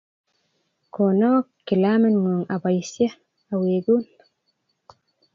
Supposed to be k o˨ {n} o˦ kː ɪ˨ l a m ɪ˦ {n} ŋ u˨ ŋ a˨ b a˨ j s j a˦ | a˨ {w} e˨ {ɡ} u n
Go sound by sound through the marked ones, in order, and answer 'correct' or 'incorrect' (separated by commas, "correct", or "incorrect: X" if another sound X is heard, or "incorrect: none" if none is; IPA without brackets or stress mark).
correct, correct, correct, correct